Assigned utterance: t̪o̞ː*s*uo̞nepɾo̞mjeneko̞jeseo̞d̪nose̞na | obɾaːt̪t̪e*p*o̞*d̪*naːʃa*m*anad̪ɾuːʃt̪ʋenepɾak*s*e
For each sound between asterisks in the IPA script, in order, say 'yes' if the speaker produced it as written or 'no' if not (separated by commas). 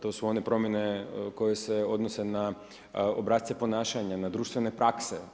yes, yes, no, no, yes